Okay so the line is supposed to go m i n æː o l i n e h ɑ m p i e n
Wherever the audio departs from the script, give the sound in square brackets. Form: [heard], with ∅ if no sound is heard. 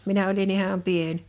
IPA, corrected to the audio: m i n [æ] o l i n [i] h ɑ m p i e n